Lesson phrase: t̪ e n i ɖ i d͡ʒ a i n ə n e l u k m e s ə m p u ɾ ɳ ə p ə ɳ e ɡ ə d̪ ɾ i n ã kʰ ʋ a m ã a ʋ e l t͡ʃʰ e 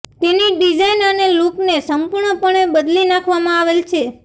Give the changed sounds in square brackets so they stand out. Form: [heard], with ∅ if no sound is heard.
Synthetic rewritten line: t̪ e n i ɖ i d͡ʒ a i n ə n e l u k [n] e s ə m p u ɾ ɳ ə p ə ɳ e [b] ə d̪ [l] i n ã kʰ ʋ a m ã a ʋ e l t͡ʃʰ e